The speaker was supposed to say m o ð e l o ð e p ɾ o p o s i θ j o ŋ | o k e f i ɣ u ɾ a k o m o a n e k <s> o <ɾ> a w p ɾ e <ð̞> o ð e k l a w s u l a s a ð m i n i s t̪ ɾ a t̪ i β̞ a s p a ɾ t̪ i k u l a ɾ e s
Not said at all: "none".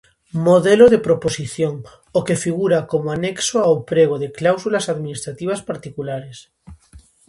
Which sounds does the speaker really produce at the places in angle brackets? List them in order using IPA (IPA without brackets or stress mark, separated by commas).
s, none, ɣ̞